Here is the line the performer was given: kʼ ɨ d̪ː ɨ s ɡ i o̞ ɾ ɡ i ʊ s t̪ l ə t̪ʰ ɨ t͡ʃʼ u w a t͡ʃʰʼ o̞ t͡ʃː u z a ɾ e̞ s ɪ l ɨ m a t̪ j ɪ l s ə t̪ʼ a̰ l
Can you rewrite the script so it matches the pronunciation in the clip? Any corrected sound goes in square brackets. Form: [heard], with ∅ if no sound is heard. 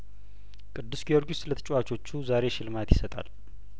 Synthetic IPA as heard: kʼ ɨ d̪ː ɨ s ɡ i o̞ ɾ ɡ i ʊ s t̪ l ə t̪ʰ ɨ t͡ʃʼ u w a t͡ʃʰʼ o̞ t͡ʃː u z a ɾ e̞ [ʃ] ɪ l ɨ m a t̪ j ɪ [∅] s ə t̪ʼ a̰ l